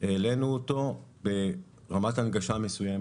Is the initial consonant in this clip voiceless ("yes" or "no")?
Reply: no